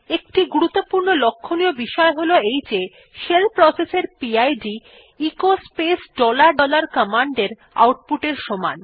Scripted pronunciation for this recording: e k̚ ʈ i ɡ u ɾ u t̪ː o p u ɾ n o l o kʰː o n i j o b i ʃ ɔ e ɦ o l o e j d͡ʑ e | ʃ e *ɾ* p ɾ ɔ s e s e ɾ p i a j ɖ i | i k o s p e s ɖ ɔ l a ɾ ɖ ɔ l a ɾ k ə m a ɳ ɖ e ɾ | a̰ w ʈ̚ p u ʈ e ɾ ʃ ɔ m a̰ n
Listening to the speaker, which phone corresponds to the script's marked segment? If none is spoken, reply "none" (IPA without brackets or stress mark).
l